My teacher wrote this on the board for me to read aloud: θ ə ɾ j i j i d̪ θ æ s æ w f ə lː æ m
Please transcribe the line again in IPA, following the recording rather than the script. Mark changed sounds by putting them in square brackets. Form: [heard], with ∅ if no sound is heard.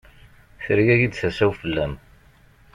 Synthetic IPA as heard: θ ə ɾ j [æ] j i d̪ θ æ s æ w f ə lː æ m